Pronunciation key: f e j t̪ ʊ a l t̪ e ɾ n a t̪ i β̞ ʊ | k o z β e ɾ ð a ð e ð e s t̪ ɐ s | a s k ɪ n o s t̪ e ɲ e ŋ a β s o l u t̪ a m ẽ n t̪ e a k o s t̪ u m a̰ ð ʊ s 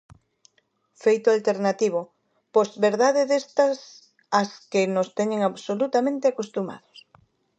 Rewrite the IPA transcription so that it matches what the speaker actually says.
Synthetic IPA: f e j t̪ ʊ a l t̪ e ɾ n a t̪ i β̞ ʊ | p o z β e ɾ ð a ð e ð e s t̪ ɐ s | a s k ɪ n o s t̪ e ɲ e ŋ a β s o l u t̪ a m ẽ n t̪ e a k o s t̪ u m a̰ ð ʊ s

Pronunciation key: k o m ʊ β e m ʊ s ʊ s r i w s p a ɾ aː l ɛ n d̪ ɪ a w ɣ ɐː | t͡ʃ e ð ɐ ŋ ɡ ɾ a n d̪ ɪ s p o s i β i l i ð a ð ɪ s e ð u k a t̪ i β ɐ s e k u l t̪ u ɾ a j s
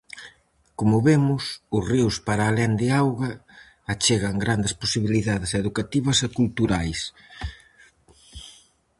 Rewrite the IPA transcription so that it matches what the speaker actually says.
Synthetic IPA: k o m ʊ β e m ʊ s ʊ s r i w s p a ɾ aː l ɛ n d̪ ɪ a w ɣ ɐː | t͡ʃ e ɣ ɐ ŋ ɡ ɾ a n d̪ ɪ s p o s i β i l i ð a ð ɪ s e ð u k a t̪ i β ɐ s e k u l t̪ u ɾ a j s

